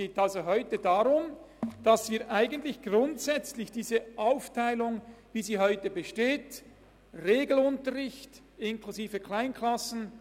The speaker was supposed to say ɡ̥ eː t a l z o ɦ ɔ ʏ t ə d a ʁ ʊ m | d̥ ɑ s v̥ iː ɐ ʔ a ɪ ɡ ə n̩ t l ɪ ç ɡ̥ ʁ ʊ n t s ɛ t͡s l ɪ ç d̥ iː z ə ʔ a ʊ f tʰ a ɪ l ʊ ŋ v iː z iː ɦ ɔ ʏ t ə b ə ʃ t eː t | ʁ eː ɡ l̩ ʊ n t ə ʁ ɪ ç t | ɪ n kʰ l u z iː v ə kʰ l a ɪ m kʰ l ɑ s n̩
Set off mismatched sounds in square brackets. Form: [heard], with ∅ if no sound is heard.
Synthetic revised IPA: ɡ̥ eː t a l z o ɦ ɔ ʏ t ə d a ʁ ʊ m | d̥ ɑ s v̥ iː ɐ ʔ a ɪ ɡ ə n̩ t l ɪ ç ɡ̥ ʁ ʊ n t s ɛ t͡s l ɪ ç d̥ iː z ə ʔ a ʊ f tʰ a ɪ l ʊ ŋ v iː z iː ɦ ɔ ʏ t ə b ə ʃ t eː t | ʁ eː ɡ l̩ ʊ n t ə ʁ ɪ ç t | ɪ n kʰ l u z iː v ə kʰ l a ɪ [n] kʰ l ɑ s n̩